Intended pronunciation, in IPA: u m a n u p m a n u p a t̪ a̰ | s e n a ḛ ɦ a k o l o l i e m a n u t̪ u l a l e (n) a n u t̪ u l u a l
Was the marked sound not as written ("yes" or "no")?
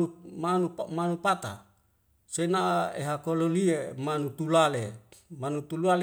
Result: yes